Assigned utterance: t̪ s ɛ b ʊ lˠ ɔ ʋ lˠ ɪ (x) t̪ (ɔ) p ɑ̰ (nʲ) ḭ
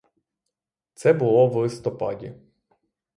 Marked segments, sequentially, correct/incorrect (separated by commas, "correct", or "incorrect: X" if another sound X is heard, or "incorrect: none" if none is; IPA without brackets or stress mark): incorrect: s, correct, incorrect: dʲ